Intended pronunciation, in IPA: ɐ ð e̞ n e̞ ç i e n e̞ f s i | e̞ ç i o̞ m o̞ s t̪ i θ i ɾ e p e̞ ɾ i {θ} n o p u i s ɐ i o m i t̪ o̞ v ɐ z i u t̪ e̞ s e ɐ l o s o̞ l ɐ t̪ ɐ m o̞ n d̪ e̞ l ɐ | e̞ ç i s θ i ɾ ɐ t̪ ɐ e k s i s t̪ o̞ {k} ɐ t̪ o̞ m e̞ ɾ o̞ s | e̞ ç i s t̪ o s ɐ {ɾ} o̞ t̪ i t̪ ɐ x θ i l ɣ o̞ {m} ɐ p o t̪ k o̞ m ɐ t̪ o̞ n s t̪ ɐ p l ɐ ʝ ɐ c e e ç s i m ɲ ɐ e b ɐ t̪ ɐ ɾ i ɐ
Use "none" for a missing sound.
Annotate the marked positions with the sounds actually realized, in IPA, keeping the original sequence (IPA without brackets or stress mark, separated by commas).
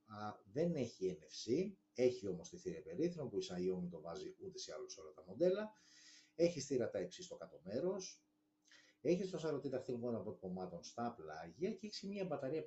θ, k, ɾ, n